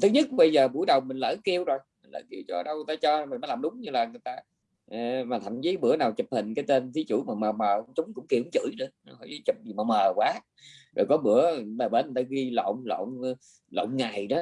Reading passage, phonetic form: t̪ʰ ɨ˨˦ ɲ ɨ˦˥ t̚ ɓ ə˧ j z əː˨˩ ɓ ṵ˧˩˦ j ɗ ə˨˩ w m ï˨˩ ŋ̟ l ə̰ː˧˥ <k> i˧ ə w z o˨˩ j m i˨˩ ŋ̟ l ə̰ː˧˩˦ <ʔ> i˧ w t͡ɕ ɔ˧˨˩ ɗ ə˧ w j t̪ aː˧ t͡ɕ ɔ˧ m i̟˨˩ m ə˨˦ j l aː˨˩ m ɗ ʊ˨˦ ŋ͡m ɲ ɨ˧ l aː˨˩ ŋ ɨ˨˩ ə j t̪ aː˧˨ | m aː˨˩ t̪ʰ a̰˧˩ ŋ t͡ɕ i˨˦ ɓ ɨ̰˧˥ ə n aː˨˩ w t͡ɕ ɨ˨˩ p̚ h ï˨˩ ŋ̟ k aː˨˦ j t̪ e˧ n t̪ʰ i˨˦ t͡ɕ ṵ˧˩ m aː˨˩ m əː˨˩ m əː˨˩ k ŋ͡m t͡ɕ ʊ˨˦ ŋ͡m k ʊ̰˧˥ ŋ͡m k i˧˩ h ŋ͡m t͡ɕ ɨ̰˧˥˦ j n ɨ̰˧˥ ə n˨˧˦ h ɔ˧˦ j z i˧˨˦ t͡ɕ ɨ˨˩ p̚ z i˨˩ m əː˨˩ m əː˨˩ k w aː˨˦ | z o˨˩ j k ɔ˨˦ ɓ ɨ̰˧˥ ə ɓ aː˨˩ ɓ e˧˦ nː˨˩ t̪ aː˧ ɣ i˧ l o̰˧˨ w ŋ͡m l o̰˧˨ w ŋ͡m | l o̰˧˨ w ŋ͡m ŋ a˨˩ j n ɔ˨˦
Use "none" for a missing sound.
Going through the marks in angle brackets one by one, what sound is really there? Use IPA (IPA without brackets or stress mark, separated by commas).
k, k